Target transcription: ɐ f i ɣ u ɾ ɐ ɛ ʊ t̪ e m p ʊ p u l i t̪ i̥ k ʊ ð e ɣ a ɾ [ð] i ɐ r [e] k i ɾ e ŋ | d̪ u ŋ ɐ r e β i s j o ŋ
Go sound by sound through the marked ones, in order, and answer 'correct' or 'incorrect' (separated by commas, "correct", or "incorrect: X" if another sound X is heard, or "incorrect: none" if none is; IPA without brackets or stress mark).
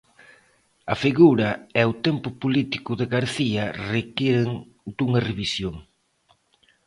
incorrect: θ, correct